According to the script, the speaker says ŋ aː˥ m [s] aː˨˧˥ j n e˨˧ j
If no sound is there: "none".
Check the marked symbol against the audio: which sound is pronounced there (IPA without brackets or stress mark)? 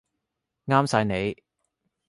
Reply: s